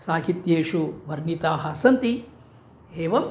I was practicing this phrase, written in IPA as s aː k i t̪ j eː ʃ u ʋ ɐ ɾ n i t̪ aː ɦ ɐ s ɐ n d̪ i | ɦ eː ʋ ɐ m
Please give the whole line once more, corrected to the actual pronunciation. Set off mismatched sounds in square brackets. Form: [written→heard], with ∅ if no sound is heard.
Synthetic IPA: s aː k i t̪ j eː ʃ u ʋ ɐ ɾ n i t̪ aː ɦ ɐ s ɐ n [d̪→t̪] i | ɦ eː ʋ ɐ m